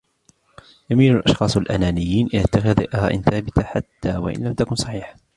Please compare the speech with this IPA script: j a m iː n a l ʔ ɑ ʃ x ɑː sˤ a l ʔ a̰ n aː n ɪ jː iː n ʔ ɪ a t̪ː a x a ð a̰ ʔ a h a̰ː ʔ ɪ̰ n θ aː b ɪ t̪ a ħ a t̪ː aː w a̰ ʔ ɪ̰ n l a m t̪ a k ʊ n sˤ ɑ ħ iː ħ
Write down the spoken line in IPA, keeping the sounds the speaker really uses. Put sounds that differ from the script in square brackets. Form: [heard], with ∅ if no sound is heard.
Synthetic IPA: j a m iː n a l ʔ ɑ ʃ x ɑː sˤ a l ʔ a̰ n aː n ɪ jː iː n ʔ ɪ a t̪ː a x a ð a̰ ʔ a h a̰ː ʔ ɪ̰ n θ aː b ɪ t̪ a ħ a t̪ː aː w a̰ ʔ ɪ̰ n l a m t̪ a k ʊ n sˤ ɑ ħ iː ħ